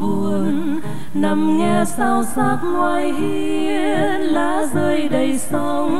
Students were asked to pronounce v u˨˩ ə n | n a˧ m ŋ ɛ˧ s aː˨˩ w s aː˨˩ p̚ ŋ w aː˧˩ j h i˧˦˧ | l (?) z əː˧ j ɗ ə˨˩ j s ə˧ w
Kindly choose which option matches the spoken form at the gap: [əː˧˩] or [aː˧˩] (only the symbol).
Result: aː˧˩